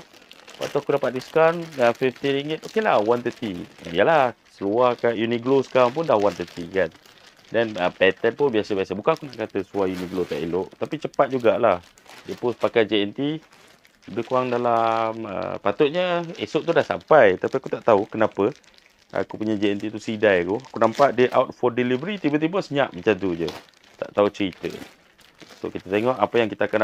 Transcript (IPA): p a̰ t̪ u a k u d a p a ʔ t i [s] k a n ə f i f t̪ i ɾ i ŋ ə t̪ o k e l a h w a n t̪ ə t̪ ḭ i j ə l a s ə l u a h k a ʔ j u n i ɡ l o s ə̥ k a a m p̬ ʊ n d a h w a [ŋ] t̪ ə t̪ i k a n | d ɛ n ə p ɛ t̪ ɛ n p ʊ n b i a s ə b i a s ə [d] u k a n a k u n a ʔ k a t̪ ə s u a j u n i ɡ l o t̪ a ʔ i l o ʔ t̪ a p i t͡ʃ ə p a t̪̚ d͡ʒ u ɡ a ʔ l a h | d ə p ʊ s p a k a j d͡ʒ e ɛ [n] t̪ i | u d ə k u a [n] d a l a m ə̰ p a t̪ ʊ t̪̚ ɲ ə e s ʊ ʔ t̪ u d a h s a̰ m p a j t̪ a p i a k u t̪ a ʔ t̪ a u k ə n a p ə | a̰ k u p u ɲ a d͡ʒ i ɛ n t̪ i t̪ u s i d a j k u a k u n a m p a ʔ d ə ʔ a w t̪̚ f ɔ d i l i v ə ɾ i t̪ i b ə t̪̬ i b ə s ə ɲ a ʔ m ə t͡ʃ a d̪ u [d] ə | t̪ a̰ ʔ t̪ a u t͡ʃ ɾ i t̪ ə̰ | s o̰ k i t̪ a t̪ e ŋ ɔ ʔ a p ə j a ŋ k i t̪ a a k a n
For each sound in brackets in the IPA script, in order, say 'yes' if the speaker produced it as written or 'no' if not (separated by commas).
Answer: yes, no, no, yes, no, no